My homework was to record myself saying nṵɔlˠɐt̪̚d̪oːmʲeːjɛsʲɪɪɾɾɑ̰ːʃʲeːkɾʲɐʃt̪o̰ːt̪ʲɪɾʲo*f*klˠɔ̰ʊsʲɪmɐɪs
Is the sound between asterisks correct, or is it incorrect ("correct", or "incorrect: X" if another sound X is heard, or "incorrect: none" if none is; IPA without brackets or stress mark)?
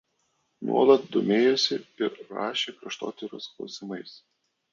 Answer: incorrect: s